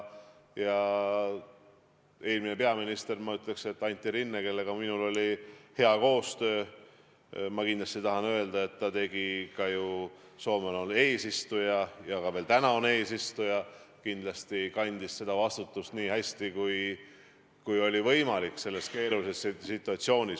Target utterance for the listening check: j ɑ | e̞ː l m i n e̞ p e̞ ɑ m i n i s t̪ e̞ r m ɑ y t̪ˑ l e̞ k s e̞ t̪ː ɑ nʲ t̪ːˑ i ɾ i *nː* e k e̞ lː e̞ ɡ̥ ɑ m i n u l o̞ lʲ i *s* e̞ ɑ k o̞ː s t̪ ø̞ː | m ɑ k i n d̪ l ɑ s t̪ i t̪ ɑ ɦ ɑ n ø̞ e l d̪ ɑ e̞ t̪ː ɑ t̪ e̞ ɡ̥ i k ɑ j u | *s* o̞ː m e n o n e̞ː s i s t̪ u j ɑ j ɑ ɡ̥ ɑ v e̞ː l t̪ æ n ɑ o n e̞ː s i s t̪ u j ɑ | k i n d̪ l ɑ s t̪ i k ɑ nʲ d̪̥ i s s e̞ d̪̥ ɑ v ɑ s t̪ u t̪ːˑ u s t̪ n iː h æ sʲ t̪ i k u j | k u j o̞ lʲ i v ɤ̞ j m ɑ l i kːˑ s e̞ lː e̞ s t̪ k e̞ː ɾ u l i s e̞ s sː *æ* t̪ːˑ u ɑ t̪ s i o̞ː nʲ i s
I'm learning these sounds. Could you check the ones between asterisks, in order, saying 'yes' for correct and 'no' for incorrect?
yes, no, yes, no

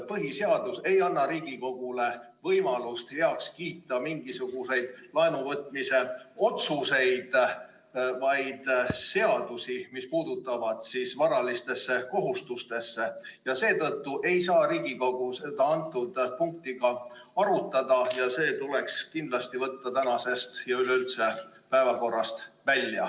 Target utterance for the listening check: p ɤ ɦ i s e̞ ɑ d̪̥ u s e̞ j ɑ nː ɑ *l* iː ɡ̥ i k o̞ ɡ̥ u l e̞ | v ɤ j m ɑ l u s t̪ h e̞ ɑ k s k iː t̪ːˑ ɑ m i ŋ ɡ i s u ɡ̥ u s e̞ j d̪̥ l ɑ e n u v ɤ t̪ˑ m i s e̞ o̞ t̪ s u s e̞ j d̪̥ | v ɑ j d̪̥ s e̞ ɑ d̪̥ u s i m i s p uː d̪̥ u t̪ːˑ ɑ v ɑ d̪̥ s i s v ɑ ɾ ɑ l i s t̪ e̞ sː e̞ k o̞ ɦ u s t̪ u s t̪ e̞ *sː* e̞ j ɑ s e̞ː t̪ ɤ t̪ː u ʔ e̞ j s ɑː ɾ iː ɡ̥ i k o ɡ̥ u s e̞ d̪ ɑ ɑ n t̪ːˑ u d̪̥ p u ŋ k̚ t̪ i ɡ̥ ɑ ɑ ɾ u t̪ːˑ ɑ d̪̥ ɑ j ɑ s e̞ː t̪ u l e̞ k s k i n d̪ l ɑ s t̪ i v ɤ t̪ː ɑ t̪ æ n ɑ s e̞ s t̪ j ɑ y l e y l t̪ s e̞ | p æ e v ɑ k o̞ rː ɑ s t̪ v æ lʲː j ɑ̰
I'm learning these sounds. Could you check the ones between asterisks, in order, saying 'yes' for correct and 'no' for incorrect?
no, yes

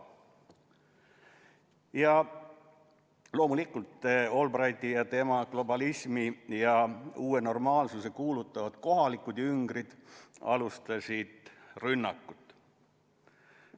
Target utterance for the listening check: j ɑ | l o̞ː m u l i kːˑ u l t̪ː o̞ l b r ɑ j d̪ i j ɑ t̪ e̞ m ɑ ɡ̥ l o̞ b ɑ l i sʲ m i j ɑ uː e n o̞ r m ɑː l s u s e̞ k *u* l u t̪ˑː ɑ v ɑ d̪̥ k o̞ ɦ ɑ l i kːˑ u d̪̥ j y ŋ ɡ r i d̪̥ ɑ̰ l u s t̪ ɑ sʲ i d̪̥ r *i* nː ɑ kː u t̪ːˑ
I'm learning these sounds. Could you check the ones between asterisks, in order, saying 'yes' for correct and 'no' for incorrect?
no, no

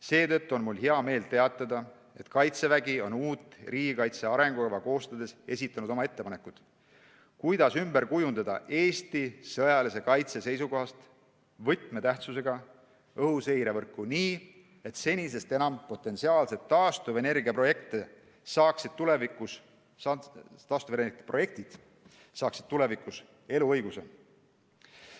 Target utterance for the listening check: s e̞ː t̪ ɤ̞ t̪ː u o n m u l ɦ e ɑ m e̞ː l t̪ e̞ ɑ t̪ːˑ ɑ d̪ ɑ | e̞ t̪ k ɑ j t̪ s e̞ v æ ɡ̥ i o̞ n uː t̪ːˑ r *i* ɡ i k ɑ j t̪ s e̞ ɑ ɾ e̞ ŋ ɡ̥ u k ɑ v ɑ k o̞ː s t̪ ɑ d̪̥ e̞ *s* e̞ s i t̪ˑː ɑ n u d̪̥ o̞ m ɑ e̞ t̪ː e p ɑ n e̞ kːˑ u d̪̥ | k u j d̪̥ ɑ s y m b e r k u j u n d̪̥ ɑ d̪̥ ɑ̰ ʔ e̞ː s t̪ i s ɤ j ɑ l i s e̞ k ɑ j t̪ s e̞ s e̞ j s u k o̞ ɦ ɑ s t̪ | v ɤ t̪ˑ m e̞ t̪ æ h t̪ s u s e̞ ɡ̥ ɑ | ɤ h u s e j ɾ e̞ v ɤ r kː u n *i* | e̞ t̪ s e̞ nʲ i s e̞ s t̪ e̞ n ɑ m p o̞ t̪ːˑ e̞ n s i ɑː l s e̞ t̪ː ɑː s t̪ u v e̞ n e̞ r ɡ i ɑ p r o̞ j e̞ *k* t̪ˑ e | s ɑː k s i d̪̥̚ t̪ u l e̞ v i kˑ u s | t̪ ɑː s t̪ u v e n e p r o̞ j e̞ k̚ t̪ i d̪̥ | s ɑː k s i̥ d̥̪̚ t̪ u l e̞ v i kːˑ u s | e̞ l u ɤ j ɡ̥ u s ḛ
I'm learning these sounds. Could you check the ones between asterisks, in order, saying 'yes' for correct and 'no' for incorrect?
no, yes, no, yes

